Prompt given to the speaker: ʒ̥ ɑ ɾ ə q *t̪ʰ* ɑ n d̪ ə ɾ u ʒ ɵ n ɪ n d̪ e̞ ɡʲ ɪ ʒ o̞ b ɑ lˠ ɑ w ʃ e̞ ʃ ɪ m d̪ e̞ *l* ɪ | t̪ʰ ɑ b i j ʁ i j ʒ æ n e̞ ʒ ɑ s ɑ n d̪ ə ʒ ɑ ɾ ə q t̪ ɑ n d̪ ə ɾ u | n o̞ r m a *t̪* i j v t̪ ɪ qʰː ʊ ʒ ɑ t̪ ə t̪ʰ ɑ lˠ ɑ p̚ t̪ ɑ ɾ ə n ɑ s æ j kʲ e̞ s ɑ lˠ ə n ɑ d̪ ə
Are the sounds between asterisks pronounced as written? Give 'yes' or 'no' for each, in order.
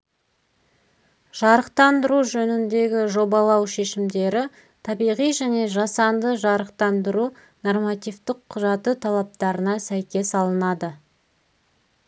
no, no, yes

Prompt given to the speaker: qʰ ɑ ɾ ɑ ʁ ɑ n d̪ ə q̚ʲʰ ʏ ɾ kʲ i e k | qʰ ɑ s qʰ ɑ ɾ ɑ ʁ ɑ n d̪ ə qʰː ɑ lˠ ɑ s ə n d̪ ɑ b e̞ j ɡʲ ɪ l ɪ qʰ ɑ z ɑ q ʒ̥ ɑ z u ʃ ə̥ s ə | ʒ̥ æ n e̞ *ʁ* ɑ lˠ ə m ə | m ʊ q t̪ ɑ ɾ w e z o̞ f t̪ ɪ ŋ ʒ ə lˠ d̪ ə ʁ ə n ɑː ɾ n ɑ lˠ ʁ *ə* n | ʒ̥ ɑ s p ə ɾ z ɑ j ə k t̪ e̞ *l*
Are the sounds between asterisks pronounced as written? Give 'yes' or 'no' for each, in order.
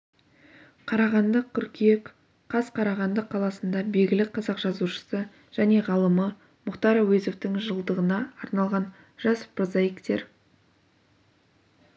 yes, no, no

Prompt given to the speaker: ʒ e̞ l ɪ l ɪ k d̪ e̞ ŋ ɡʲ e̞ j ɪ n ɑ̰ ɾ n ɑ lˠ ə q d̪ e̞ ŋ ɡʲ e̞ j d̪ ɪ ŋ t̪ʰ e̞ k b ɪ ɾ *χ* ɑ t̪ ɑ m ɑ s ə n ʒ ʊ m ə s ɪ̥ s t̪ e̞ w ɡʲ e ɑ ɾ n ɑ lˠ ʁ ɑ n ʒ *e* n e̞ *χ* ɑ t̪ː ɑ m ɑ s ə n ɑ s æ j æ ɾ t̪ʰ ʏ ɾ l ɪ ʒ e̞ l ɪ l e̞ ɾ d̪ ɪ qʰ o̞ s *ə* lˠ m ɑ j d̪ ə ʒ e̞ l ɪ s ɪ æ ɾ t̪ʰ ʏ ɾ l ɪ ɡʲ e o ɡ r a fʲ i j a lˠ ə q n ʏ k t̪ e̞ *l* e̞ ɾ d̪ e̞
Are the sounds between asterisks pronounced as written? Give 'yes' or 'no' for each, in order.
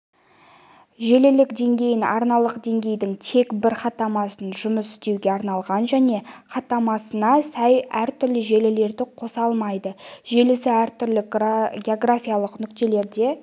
yes, no, yes, no, yes

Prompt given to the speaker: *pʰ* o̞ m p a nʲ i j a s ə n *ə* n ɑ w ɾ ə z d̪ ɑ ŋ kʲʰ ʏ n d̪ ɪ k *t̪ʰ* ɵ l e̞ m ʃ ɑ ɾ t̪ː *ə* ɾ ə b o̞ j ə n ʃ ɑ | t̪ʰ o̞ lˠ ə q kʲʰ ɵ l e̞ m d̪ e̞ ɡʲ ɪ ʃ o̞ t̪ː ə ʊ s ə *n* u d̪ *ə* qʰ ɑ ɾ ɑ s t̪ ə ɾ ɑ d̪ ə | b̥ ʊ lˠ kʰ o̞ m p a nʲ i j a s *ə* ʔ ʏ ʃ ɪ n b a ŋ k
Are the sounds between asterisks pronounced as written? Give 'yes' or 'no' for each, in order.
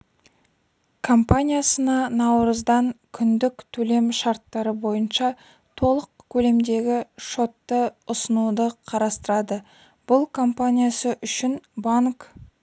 no, no, yes, no, yes, yes, yes

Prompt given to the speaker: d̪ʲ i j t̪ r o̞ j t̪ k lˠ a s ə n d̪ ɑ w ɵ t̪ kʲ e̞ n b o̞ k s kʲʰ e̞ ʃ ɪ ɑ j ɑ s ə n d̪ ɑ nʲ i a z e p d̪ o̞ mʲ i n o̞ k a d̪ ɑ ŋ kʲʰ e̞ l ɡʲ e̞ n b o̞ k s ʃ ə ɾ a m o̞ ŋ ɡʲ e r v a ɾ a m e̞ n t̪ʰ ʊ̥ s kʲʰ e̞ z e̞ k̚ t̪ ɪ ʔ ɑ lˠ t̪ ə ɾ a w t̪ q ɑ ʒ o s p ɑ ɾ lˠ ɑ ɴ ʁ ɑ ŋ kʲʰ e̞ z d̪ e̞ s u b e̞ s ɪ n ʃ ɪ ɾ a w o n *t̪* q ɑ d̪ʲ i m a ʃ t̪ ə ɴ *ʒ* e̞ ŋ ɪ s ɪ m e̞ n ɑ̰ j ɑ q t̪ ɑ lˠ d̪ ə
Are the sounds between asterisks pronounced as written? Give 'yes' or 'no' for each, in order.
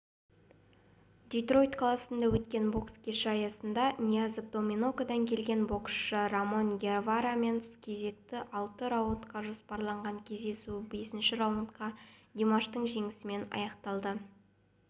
yes, yes

